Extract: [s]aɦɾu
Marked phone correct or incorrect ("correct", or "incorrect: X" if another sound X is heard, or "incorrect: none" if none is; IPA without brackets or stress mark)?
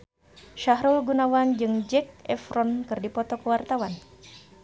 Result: incorrect: ʃ